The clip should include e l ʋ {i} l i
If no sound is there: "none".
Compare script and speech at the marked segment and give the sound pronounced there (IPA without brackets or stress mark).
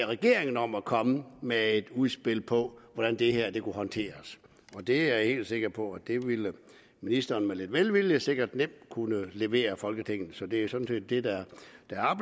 i